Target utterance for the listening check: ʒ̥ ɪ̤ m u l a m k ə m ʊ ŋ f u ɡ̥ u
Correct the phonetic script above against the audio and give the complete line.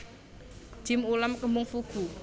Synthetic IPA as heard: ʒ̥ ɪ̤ m u l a m k ə m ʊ ŋ f u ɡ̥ u